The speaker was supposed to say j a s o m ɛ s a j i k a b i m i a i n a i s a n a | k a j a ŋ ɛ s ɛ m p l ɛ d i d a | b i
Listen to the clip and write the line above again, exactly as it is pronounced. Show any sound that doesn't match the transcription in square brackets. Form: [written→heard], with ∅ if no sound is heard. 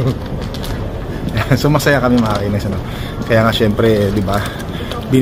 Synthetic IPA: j a s o m [ɛ→a] s a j [i→a] k a [b→m] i m [i→a] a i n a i s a n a | k a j a ŋ [ɛ→a] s ɛ m p [l→ɾ] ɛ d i [d→b] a | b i